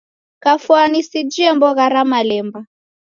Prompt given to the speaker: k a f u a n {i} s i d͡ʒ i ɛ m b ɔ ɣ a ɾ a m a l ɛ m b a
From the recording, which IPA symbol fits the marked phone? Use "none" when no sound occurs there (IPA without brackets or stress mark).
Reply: i